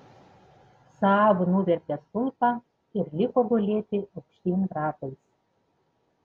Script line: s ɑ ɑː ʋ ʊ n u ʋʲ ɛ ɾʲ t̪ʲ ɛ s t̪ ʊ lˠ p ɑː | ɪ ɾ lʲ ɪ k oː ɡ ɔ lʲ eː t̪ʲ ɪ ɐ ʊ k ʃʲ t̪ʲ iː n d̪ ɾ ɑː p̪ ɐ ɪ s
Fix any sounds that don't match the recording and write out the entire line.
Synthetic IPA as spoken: s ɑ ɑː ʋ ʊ n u ʋʲ ɛ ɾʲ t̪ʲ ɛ s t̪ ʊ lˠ p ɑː | ɪ ɾ lʲ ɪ k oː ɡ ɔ lʲ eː t̪ʲ ɪ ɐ ʊ k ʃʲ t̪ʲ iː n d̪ ɾ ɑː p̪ ɐ ɪ s